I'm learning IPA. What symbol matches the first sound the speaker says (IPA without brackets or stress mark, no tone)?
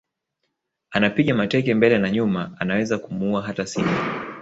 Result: a